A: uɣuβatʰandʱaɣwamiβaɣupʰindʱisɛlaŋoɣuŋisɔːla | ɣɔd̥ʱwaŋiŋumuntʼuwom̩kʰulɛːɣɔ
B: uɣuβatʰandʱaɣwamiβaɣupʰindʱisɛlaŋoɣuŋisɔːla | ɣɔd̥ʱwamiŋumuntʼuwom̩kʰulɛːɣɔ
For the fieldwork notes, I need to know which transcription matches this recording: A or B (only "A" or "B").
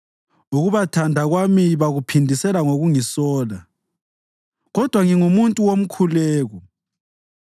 A